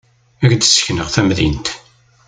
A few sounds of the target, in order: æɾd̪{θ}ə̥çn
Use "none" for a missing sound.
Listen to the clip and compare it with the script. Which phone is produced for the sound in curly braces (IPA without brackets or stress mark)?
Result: s